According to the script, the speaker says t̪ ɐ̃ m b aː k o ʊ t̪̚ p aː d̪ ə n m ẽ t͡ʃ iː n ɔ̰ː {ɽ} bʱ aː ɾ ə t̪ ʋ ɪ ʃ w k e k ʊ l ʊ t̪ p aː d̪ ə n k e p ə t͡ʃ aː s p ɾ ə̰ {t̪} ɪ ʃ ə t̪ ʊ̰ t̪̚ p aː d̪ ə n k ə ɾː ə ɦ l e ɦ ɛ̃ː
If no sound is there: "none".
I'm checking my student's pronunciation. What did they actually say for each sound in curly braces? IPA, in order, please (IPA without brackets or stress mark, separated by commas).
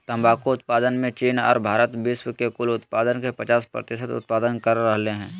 ɾ, t̪